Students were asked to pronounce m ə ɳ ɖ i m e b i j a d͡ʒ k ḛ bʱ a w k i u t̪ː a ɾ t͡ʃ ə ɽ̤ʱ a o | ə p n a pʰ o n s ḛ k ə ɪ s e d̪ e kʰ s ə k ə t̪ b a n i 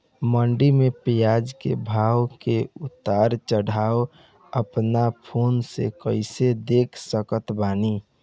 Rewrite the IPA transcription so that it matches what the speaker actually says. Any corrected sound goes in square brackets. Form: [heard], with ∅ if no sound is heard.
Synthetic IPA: m ə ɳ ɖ i m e [p] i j a d͡ʒ k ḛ bʱ a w k [e] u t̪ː a ɾ t͡ʃ ə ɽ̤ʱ a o | ə p n a pʰ o n s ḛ k ə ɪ s e d̪ e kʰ s ə k ə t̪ b a n i